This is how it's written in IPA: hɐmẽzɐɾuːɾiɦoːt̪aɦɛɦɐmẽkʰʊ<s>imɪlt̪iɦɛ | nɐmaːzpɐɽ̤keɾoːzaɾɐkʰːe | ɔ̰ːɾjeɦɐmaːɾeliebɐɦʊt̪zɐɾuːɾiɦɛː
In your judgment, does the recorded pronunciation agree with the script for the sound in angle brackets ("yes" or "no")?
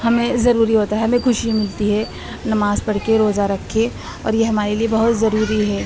no